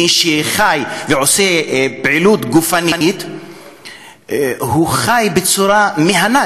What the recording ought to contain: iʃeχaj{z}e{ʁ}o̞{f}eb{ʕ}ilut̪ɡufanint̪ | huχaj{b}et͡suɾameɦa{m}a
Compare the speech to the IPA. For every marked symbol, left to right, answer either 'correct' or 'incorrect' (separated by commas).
incorrect, incorrect, incorrect, correct, correct, incorrect